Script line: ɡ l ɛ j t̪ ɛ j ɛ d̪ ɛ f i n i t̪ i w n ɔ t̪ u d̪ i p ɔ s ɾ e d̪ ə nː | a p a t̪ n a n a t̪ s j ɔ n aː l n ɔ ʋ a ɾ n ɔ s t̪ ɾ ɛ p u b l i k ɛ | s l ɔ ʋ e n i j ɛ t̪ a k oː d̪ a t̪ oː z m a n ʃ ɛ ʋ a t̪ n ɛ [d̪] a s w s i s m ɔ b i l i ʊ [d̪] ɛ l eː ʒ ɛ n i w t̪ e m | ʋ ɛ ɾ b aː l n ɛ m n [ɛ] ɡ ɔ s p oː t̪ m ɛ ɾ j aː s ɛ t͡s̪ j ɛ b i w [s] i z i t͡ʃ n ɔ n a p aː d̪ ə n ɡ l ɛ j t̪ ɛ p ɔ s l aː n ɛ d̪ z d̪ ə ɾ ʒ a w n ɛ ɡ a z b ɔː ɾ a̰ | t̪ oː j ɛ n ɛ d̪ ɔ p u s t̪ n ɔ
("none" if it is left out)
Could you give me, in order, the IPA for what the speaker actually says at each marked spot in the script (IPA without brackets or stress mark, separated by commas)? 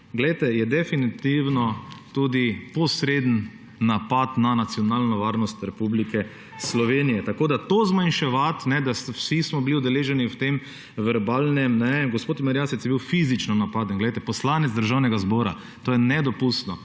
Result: d̪, d̪, ɛ, f